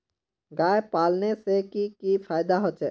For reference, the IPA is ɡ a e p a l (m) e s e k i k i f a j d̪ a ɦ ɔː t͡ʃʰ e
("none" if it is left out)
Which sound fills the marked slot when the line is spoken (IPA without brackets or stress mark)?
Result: n